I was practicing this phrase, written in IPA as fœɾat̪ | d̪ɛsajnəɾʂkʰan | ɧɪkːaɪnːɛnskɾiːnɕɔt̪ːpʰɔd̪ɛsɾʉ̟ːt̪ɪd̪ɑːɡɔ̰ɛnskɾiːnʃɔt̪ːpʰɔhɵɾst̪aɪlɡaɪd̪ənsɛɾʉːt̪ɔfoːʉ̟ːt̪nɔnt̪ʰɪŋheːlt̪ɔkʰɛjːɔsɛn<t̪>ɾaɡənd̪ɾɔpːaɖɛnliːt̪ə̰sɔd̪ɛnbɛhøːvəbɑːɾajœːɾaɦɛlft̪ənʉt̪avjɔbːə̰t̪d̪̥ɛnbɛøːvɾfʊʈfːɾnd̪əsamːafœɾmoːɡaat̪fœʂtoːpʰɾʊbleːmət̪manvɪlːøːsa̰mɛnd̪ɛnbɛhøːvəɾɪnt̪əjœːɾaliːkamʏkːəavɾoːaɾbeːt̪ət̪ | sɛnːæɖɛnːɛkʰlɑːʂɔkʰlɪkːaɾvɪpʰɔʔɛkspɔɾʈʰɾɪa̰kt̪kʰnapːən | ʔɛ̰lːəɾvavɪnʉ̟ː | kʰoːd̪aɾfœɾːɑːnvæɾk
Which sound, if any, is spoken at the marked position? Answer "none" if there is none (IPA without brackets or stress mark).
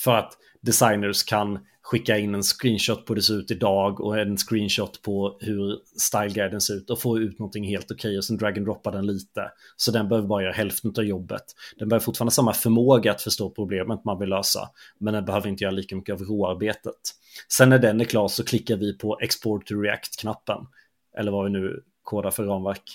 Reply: d̪